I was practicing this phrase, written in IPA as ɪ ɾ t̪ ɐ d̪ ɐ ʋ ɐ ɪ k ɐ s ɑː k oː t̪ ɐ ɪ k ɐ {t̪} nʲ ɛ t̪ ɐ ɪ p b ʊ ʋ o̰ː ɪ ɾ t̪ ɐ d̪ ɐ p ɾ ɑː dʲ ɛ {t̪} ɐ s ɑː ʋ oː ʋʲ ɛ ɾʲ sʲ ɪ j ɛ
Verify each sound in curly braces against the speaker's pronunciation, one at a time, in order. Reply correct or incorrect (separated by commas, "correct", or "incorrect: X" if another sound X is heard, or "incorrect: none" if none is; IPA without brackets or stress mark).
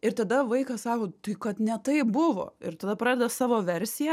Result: correct, incorrect: d̪